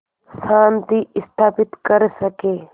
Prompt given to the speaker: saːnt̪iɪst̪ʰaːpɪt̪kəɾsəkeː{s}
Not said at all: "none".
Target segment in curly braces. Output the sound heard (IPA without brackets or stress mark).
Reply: none